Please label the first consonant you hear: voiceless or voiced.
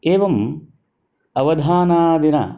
voiced